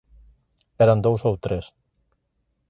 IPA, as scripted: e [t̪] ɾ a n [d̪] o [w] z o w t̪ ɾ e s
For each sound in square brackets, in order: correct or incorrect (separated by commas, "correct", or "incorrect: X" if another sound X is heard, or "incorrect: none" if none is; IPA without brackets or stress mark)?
incorrect: none, correct, correct